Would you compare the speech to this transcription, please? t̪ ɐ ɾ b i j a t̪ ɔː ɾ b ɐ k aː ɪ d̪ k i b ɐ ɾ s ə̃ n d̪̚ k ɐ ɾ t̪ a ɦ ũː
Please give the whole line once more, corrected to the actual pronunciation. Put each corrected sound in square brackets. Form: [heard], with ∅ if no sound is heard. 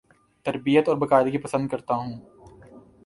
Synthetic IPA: t̪ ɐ ɾ b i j [ə] t̪ ɔː ɾ b ɐ k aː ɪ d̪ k i [p] ɐ [∅] s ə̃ n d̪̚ k ɐ ɾ t̪ a ɦ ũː